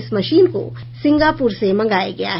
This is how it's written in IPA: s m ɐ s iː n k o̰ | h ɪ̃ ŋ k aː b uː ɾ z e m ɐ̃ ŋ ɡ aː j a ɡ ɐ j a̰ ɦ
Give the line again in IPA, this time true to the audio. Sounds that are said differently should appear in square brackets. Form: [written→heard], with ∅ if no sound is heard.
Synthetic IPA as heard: s m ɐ [s→ʃ] iː n k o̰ | [h→s] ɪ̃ ŋ [k→ɡ] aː [b→p] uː ɾ [z→s] e m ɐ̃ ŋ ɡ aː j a ɡ ɐ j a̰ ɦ